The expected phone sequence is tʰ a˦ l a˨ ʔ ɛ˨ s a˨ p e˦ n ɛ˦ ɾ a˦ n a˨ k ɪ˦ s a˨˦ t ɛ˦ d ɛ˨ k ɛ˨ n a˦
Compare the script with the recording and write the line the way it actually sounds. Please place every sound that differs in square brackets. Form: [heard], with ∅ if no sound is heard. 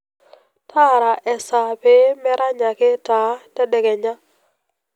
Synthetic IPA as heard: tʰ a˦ [ɾ] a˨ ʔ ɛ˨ s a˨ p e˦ [m] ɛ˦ ɾ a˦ [ɲ] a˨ k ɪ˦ [t] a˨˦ t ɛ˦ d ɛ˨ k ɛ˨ [ɲ] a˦

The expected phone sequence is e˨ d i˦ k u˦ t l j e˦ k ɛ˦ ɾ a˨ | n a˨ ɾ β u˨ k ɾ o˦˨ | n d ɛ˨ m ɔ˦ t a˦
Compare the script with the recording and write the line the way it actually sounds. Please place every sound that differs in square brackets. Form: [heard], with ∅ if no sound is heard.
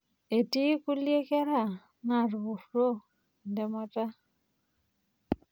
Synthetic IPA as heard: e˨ [t] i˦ k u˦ [∅] l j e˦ k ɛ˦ ɾ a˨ | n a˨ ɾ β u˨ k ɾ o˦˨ | n d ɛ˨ m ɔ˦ t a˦

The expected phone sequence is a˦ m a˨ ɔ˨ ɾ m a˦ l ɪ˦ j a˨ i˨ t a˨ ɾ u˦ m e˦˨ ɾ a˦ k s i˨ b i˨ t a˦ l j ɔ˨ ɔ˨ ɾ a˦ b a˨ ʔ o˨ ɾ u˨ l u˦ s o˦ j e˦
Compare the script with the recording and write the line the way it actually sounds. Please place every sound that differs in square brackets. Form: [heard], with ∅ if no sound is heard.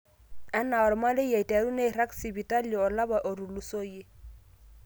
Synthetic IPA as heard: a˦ [n] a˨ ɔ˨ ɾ m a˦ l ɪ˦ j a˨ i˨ t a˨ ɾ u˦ [n] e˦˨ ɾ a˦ k s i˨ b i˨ t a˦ l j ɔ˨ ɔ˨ [l] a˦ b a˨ ʔ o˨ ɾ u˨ l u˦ s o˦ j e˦

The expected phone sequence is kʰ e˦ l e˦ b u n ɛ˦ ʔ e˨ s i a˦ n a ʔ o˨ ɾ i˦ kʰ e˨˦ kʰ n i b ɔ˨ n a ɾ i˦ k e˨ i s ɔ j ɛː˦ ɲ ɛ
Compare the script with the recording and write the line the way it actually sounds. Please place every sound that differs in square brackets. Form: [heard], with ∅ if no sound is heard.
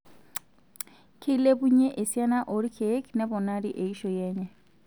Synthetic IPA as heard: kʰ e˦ l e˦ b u [ɲ] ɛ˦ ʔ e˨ s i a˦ n a ʔ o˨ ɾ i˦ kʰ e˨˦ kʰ n [ɛ] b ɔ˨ n a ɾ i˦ [ʔ] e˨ i [ʃ] ɔ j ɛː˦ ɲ ɛ

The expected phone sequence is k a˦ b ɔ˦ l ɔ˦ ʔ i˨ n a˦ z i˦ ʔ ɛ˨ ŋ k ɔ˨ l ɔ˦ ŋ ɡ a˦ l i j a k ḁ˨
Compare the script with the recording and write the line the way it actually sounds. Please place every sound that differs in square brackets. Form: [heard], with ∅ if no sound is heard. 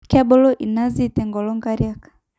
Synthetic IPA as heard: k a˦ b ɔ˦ l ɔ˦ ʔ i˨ n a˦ z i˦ [t] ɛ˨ ŋ [ɡ] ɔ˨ l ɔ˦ ŋ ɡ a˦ [ɾ] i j a k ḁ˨

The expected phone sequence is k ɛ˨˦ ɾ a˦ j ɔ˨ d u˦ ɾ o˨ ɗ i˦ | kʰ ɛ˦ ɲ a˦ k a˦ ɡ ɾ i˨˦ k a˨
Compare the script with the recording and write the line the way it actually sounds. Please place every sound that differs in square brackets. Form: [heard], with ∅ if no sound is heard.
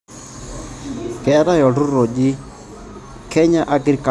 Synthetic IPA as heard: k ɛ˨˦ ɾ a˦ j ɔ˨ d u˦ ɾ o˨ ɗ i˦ | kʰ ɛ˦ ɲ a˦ [ʔ] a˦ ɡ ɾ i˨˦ k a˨

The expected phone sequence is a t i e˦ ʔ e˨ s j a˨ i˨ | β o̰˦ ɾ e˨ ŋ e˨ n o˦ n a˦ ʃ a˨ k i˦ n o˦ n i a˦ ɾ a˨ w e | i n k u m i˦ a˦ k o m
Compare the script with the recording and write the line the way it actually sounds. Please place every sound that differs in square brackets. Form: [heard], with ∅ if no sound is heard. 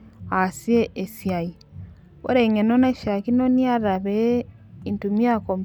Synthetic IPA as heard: a [s] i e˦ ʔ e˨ s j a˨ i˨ | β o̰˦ ɾ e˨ ŋ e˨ n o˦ n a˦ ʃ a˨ k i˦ n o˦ n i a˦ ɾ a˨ [β] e | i n [t] u m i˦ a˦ k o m

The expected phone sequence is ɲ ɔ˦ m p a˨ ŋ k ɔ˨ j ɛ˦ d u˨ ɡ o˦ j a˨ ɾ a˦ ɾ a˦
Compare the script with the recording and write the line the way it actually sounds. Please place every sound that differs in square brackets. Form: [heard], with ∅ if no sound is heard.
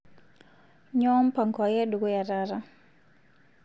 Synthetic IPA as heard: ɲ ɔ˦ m p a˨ ŋ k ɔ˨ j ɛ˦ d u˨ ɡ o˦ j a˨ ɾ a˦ ɾ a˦

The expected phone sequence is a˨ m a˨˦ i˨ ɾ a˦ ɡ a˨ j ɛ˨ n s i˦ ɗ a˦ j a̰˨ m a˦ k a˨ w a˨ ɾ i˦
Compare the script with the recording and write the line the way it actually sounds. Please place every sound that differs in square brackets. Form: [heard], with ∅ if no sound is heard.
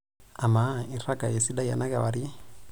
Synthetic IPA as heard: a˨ m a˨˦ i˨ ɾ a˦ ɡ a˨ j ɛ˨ [∅] s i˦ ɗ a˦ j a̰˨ [n] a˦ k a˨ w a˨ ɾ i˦

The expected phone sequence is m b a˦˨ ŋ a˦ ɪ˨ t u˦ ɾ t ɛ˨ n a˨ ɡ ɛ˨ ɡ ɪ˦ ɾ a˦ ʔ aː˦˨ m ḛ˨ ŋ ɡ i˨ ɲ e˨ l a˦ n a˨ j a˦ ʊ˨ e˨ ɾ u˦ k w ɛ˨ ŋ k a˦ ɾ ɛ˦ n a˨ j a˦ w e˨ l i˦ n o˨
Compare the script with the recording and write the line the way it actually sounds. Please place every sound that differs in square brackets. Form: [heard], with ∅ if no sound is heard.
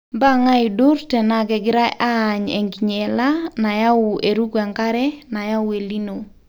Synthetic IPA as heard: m b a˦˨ ŋ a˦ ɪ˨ [d] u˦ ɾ t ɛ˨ n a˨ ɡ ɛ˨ ɡ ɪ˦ ɾ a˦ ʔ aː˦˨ [ɲ] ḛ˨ ŋ ɡ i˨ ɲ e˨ l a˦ n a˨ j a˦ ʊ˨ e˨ ɾ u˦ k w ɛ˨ ŋ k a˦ ɾ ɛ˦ n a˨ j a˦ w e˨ l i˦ n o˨

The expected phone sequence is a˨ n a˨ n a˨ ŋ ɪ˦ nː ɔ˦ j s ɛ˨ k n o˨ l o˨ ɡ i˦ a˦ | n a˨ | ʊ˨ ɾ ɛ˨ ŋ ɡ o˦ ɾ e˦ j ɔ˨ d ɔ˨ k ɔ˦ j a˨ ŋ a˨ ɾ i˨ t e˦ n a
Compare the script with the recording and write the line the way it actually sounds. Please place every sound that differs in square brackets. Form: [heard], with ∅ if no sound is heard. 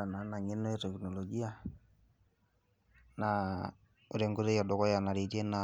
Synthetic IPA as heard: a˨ n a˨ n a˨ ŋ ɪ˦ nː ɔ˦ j [t] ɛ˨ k n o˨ l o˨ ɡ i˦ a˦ | n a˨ | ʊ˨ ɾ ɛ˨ ŋ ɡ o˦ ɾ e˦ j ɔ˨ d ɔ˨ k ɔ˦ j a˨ [n] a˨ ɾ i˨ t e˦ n a

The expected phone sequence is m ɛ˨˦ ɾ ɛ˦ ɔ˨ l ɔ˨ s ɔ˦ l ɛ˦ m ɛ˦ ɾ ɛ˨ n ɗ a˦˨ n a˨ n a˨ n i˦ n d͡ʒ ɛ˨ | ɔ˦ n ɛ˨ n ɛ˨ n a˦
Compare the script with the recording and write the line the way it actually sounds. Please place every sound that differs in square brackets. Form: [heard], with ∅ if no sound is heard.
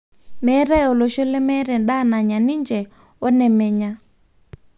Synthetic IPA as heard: m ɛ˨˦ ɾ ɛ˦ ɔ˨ l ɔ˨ [ʃ] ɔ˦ l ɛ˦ m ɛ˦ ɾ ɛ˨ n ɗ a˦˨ n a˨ [ɲ] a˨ n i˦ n d͡ʒ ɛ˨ | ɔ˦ n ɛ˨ [m] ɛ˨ [ɲ] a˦

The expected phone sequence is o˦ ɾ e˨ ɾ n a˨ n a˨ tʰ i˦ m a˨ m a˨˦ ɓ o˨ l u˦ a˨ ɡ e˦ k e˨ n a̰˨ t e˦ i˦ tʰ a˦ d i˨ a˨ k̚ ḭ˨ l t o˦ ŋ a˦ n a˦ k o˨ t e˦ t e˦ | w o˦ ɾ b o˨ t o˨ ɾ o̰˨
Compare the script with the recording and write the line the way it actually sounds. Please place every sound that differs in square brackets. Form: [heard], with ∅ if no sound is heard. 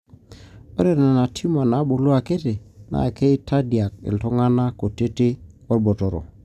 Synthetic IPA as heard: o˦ ɾ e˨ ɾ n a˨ n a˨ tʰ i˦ m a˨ [n] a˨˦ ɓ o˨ l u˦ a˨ [k] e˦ [t] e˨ n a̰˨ [k] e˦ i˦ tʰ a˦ d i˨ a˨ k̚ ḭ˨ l t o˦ ŋ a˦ n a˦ k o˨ t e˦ t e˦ | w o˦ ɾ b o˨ t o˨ ɾ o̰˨

